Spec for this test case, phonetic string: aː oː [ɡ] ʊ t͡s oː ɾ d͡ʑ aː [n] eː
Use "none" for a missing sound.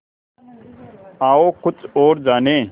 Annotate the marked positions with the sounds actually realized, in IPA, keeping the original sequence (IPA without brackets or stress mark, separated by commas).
k, n